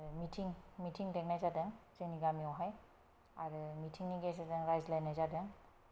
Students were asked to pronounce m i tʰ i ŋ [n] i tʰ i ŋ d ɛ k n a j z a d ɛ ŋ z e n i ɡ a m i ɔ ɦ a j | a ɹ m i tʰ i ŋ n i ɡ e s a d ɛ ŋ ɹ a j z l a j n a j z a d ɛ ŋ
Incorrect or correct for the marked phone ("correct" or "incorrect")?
incorrect